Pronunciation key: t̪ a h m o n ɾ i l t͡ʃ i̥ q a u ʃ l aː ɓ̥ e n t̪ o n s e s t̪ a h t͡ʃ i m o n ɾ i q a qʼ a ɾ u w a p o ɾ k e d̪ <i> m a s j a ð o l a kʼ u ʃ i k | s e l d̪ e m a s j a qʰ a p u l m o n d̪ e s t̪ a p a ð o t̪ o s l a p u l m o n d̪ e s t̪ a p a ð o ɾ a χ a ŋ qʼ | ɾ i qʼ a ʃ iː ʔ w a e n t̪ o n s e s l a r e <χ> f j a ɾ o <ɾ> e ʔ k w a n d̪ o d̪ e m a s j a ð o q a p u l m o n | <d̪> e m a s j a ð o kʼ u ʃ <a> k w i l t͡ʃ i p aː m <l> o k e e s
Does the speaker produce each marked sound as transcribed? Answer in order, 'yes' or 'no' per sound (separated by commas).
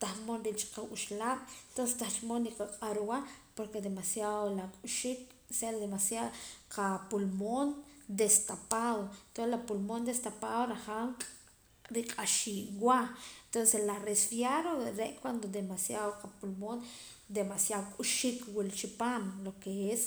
no, no, yes, yes, no, yes